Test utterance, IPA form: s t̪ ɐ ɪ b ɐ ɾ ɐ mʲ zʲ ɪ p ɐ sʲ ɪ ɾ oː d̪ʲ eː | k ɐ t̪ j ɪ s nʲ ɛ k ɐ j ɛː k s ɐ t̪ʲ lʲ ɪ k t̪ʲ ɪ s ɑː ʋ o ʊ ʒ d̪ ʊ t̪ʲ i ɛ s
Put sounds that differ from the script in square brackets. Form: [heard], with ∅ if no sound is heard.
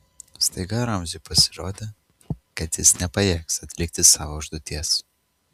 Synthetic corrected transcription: s t̪ ɐ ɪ [ɡ] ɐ ɾ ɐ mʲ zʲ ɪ p ɐ sʲ ɪ ɾ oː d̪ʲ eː | k ɐ t̪ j ɪ s nʲ ɛ [p] ɐ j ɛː k s ɐ t̪ʲ lʲ ɪ k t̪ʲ ɪ s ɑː ʋ o ʊ ʒ d̪ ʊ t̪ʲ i ɛ s